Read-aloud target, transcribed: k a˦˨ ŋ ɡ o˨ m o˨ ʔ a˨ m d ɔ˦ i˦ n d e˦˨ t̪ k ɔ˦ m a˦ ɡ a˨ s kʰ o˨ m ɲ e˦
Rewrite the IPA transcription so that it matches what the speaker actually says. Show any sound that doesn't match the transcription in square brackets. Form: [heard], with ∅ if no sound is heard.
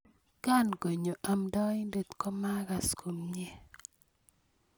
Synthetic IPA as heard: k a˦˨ [n] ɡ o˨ [ɲ] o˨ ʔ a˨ m d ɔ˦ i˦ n d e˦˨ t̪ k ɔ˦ m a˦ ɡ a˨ s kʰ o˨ m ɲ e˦